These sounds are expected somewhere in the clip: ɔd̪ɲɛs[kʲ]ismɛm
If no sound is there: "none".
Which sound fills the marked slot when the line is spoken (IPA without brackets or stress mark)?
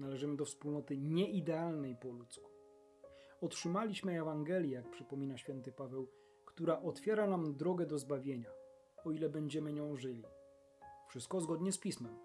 pʲ